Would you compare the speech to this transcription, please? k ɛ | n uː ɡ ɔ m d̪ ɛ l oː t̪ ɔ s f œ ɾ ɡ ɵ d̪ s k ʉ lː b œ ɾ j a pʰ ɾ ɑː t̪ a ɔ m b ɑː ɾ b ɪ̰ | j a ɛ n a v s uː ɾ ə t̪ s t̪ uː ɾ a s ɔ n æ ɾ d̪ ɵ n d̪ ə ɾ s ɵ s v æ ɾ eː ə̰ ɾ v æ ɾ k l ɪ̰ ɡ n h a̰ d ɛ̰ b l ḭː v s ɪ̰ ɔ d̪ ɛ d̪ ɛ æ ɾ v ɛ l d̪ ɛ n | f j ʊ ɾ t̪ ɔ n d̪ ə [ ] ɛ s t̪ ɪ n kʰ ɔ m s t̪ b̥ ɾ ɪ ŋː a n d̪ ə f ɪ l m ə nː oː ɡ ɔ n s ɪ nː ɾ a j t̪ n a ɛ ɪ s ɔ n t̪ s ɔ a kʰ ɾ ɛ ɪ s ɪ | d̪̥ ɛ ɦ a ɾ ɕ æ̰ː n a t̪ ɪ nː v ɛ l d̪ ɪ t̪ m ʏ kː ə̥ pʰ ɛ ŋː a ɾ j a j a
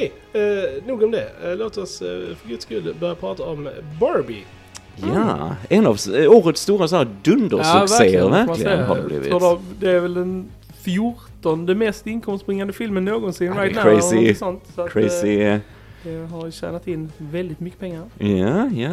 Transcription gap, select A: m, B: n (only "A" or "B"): A